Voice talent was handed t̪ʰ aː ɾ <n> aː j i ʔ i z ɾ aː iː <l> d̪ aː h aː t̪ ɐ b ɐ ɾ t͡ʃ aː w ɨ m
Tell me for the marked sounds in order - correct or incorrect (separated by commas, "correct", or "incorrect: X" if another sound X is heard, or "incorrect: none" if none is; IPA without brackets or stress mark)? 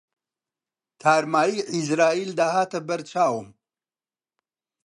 incorrect: m, correct